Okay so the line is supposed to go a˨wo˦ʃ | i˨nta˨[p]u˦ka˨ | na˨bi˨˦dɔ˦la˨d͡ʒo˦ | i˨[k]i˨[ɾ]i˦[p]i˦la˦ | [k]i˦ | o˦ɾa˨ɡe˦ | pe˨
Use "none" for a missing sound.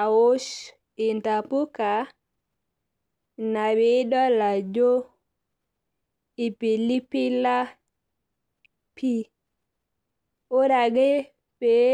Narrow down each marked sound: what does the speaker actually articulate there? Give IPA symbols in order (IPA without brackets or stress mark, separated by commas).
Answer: p, p, l, p, p